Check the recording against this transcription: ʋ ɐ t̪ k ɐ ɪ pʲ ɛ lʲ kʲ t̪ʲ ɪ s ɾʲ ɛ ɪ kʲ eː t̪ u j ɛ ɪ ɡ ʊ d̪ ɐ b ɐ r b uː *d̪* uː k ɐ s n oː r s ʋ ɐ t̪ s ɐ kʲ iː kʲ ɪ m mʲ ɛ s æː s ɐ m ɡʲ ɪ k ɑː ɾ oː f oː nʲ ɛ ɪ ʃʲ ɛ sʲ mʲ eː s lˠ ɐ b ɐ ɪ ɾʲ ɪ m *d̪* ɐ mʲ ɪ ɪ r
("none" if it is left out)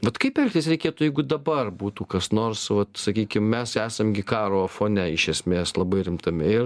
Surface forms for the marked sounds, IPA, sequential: t̪, t̪

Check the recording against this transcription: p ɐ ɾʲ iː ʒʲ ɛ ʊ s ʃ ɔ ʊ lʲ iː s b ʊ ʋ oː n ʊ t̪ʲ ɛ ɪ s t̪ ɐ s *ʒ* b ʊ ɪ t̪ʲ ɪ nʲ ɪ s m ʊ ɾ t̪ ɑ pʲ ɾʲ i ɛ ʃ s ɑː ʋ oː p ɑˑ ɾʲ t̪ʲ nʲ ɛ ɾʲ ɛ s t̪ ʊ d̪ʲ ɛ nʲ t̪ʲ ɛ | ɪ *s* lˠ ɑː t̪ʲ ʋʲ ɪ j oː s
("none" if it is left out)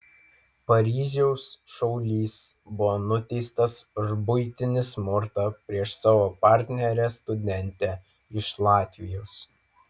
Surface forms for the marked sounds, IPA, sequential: ʒ, ʃ

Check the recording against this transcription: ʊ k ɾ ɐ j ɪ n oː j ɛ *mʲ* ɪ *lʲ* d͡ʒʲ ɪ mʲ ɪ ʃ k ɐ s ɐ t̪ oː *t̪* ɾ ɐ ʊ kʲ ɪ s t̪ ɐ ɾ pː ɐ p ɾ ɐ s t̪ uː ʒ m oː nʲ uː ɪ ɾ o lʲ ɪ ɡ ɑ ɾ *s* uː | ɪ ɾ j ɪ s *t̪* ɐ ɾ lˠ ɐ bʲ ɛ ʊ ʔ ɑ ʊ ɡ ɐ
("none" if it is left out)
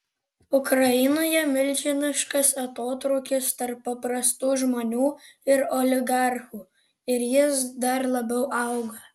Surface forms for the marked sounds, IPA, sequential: mʲ, lʲ, t̪, x, d̪

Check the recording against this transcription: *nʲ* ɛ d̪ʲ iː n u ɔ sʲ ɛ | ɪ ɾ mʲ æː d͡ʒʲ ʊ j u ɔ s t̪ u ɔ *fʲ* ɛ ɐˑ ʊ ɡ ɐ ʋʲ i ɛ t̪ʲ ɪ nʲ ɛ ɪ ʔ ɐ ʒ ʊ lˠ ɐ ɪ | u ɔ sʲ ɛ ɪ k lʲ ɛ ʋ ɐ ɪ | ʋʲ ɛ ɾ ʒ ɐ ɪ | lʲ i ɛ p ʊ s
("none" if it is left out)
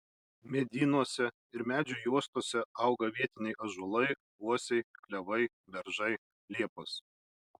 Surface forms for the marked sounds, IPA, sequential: mʲ, sʲ

